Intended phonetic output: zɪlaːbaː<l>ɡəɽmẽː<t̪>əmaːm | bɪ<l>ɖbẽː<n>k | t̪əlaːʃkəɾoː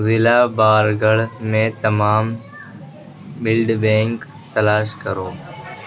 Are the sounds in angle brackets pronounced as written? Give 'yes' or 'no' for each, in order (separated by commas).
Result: no, yes, yes, no